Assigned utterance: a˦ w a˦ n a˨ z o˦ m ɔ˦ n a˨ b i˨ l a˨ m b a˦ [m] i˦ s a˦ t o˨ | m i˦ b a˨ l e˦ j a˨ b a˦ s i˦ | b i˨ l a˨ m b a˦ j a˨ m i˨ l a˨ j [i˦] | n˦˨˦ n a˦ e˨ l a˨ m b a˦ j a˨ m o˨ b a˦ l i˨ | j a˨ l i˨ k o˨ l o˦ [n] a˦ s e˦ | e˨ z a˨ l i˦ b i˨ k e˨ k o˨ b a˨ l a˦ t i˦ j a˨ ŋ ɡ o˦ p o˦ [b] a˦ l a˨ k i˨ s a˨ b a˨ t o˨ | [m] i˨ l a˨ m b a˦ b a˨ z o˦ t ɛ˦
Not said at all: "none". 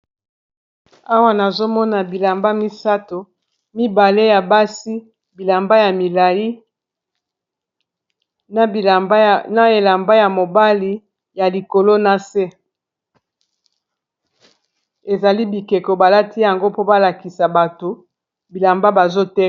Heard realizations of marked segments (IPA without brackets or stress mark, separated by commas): m, i˦, n, b, b